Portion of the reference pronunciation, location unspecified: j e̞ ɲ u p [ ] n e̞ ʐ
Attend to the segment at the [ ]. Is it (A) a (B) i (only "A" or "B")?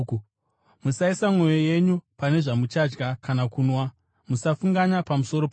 A